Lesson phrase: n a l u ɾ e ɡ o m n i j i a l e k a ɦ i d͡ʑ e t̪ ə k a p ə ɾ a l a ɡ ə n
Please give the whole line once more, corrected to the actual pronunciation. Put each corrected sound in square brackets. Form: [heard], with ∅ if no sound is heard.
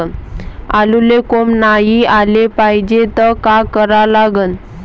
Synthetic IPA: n a l u [l] e [k] o m n [a] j i a l e [p] a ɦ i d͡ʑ e t̪ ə k a [k] ə ɾ a l a ɡ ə n